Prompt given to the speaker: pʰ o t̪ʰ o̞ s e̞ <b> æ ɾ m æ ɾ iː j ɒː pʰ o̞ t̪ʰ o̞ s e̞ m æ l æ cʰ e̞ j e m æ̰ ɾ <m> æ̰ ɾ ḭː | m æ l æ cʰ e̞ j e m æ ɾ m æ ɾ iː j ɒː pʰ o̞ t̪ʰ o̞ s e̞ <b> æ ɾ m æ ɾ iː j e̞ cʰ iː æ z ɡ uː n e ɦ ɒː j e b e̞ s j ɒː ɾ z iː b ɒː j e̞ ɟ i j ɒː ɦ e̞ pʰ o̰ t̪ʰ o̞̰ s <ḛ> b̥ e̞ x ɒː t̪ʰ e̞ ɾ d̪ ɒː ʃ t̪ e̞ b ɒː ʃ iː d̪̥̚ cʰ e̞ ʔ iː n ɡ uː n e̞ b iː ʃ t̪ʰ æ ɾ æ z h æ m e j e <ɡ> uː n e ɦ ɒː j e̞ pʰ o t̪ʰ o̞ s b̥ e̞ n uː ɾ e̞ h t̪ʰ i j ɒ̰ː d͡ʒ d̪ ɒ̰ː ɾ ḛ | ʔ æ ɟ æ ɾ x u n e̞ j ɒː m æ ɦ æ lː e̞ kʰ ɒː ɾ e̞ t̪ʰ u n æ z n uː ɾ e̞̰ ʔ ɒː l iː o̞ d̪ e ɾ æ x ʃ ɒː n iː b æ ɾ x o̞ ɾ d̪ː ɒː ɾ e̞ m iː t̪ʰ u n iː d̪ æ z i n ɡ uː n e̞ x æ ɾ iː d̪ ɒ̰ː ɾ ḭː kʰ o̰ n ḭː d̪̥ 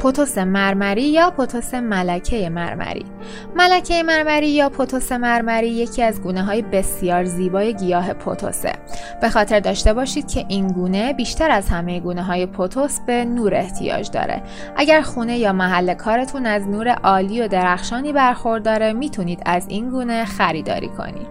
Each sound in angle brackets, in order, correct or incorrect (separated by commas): incorrect, correct, incorrect, correct, correct